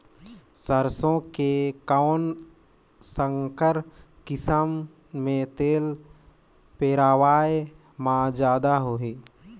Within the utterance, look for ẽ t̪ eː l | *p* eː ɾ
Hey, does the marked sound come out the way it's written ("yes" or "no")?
yes